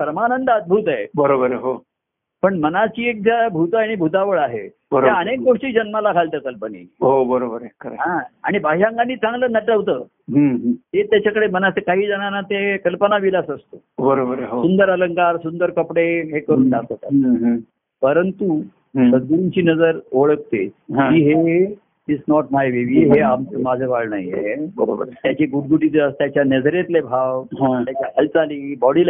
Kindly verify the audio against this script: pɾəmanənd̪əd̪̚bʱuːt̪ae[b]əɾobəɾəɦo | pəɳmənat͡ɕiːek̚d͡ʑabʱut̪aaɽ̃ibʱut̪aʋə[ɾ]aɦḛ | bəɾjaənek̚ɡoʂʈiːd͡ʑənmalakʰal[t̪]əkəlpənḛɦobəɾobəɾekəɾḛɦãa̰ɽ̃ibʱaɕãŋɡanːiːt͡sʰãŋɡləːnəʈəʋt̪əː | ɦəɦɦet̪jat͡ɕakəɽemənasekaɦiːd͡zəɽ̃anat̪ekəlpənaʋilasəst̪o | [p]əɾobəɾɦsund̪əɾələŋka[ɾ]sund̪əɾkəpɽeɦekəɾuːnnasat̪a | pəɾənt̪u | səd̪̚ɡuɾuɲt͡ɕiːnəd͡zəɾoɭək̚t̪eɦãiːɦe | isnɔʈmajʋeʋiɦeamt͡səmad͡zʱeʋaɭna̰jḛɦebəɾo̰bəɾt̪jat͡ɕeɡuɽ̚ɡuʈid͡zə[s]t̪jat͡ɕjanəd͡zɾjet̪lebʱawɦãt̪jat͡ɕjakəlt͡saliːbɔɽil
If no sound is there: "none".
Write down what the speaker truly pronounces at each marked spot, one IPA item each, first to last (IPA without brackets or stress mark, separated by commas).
b, ɭ, t̪, b, ɾ, s